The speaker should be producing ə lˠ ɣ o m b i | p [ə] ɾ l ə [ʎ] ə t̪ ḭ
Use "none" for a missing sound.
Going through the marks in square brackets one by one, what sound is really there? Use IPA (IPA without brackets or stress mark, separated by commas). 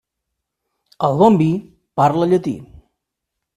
a, ʎ